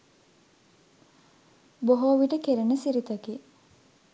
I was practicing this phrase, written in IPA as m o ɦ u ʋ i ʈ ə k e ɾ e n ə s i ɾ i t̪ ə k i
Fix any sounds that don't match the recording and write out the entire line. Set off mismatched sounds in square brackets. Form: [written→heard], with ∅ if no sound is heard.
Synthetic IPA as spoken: [m→b] o ɦ [u→o] ʋ i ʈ ə k e ɾ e n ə s i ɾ i t̪ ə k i